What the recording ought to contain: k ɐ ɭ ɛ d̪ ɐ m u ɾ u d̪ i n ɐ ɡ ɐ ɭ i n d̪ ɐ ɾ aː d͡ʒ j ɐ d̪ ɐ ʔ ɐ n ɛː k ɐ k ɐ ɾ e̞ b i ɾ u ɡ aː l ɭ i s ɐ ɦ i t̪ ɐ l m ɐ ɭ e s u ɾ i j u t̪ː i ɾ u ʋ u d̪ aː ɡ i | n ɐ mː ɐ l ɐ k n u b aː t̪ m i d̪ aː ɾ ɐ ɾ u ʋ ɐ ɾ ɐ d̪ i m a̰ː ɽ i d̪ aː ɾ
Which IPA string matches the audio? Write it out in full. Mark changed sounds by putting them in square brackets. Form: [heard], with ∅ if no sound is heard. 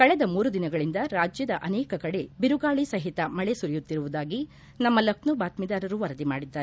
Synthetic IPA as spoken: k ɐ ɭ ɛ d̪ ɐ m [uː] ɾ u d̪ i n ɐ ɡ ɐ ɭ i n d̪ ɐ ɾ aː d͡ʒ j ɐ d̪ ɐ ʔ ɐ n ɛː k ɐ k ɐ [ɽ] e̞ b i ɾ u ɡ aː [∅] ɭ i s ɐ ɦ i t̪ ɐ [∅] m ɐ ɭ e s u ɾ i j u t̪ː i ɾ u ʋ u d̪ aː ɡ i | n ɐ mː ɐ l ɐ k n u b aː t̪ m i d̪ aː ɾ ɐ ɾ u ʋ ɐ ɾ ɐ d̪ i m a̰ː ɽ i [d̪ː] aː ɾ